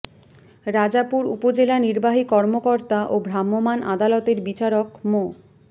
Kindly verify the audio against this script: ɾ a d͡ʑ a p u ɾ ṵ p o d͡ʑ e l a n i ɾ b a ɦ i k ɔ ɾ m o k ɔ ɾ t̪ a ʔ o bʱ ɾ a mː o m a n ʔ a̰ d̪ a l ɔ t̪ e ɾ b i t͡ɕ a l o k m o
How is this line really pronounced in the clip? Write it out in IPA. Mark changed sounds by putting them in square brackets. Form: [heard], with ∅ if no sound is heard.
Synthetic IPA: ɾ a d͡ʑ a p u ɾ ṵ p o d͡ʑ e l a n i ɾ b a ɦ i k ɔ ɾ m o k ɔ ɾ t̪ a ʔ o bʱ ɾ a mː o m a n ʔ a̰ d̪ a l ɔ t̪ e ɾ b i t͡ɕ a [ɾ] o k m o